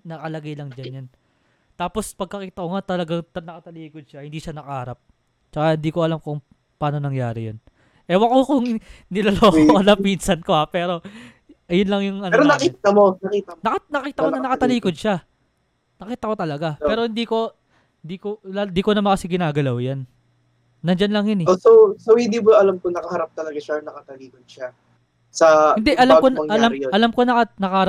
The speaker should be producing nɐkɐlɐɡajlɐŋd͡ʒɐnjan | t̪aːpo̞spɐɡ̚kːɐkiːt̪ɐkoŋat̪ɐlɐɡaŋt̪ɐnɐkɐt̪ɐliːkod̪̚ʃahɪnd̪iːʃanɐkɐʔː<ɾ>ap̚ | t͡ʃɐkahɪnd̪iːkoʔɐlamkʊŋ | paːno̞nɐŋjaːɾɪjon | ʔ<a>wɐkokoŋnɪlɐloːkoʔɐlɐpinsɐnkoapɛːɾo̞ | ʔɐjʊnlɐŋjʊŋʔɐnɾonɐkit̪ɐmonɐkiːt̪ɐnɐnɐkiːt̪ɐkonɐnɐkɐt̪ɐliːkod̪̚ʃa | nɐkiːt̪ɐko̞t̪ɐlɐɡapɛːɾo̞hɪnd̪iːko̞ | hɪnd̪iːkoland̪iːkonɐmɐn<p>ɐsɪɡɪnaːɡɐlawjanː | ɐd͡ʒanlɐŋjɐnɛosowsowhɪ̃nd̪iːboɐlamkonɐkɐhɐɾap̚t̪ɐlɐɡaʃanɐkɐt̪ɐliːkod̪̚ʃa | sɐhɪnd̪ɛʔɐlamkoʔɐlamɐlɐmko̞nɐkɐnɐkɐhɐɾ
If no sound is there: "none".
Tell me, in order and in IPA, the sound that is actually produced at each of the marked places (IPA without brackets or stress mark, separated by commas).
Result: ɾ, ɛ, k